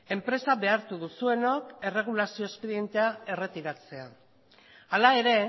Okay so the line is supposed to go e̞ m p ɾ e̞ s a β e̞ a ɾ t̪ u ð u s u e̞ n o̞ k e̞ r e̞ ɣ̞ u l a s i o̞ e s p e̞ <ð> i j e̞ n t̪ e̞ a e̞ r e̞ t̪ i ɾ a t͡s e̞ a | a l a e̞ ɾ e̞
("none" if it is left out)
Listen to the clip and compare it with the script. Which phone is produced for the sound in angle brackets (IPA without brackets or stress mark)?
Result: ð